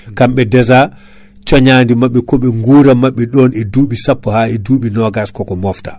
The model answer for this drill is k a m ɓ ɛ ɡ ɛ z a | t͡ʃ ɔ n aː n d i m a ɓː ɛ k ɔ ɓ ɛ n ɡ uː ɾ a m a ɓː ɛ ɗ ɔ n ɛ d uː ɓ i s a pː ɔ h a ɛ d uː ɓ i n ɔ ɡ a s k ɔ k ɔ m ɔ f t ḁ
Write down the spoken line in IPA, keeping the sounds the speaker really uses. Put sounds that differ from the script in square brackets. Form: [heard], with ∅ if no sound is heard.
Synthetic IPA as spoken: k a m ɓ ɛ [d] ɛ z a | t͡ʃ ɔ [ɲ] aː n d i m a ɓː ɛ k ɔ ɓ ɛ [ŋ] ɡ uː ɾ a m a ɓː ɛ ɗ ɔ n ɛ d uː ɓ i s a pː ɔ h a ɛ d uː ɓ i n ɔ ɡ a s k ɔ k ɔ m ɔ f t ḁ